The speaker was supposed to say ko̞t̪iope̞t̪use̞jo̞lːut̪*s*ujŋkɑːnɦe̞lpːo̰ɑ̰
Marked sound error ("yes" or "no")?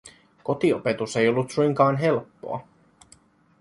no